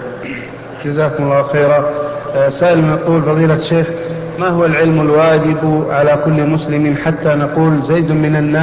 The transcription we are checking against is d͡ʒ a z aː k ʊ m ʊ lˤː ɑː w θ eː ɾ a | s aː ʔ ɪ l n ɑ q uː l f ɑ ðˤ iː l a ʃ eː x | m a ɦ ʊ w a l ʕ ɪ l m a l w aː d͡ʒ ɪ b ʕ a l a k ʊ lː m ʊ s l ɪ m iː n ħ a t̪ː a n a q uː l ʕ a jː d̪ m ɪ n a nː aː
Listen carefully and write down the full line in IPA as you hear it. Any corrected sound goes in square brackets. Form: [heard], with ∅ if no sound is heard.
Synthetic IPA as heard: d͡ʒ a z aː k ʊ m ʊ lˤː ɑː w [x] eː ɾ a | s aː ʔ ɪ l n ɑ q uː l f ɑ ðˤ iː l a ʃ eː x | m a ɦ ʊ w a l ʕ ɪ l m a l w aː d͡ʒ ɪ b ʕ a l a k ʊ lː m ʊ s l ɪ m iː n ħ a t̪ː a n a q uː l [z] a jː d̪ m ɪ n a nː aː